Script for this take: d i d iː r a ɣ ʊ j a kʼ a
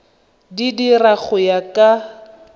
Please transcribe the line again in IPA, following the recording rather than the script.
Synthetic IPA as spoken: d i d i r a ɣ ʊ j a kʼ a